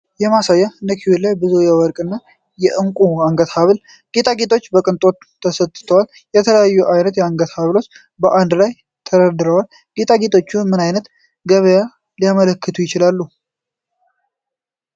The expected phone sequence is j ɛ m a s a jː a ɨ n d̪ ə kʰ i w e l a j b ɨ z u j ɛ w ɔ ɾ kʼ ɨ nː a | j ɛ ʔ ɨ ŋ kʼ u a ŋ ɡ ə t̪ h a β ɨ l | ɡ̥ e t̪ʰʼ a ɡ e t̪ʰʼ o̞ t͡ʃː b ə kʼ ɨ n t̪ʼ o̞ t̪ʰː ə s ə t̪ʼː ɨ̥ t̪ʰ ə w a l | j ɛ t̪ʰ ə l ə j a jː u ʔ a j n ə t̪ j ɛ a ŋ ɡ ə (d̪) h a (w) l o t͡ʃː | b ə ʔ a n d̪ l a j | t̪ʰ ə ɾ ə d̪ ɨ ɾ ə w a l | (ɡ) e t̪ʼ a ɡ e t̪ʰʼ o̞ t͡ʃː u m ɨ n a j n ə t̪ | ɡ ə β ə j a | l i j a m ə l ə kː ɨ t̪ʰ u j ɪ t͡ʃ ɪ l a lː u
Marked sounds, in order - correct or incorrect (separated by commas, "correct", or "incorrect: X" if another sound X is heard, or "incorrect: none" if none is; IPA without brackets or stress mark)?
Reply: incorrect: t̪, incorrect: β, correct